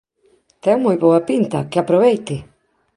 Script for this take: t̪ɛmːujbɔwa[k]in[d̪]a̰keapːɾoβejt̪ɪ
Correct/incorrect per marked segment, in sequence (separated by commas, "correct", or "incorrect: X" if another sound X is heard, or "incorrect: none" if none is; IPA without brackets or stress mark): incorrect: p, incorrect: t̪